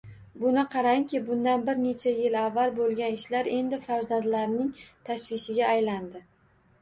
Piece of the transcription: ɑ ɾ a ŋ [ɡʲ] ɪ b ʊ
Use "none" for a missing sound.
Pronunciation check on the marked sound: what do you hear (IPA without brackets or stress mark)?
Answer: kʲ